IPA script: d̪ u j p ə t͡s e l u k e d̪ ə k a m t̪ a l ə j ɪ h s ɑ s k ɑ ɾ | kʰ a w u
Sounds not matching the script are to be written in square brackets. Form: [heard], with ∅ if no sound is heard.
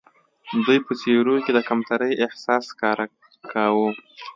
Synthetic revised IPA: d̪ u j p ə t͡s e [ɾ] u k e d̪ ə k a m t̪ a [ɾ] ə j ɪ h s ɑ s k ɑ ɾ | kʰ a w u

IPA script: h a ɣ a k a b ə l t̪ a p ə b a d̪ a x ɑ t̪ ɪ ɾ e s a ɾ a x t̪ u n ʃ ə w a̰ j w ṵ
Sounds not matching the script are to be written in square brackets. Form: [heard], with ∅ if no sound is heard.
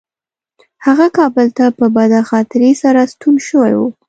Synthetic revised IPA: h a ɣ a k [ɑ] b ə l t̪ a p ə b a d̪ a x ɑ t̪ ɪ ɾ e s a ɾ a [s] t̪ u n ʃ ə w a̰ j w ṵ

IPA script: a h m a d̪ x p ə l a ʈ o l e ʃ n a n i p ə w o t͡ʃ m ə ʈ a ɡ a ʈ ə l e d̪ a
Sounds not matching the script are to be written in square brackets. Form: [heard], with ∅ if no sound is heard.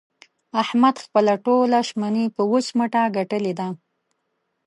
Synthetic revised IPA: a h m a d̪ x p ə l a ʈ o l [a] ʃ [m] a n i p ə w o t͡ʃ m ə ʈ a ɡ a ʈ ə l e d̪ a

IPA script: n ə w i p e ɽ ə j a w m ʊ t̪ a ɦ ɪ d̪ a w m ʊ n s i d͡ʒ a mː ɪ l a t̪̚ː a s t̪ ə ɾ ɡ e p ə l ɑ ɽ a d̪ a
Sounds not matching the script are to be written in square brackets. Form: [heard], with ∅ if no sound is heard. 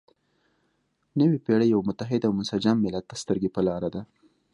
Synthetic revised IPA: n ə w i p e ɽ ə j a w m ʊ t̪ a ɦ ɪ d̪ a w m ʊ n s [a] d͡ʒ a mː ɪ l a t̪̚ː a s t̪ ə ɾ ɡ e p ə l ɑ [ɾ] a d̪ a

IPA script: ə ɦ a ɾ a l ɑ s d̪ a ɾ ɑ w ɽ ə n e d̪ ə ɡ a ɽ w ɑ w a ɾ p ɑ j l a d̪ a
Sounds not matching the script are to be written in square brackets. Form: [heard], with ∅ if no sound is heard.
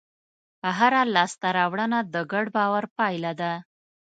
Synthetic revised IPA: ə ɦ a ɾ a l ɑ s [t̪] a ɾ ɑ w ɽ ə n [a] d̪ ə ɡ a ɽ [b] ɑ w a ɾ p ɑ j l a d̪ a

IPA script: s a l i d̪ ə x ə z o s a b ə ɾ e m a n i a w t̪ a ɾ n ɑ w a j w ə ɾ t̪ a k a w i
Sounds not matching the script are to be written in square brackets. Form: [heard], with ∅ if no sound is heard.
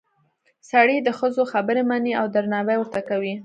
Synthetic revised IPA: s a [ɽ] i d̪ ə x ə z o [x] a b ə ɾ e m a n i a w [d̪] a ɾ n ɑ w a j w ə ɾ t̪ a k a w i

